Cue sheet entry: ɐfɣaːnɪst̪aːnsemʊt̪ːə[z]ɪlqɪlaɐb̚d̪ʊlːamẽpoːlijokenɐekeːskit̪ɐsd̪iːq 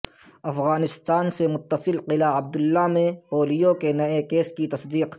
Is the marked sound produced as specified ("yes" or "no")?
no